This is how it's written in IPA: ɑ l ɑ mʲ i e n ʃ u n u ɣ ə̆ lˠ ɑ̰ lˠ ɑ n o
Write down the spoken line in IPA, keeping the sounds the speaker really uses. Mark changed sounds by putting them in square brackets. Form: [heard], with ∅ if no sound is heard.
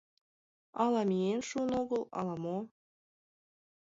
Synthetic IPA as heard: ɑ l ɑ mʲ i e n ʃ u n [o] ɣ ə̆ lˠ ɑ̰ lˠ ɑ [m] o